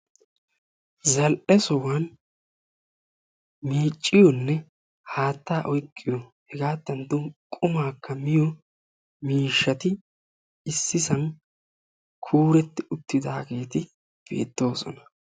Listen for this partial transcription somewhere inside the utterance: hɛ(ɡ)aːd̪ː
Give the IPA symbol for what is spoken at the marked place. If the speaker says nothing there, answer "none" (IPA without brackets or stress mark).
ɡ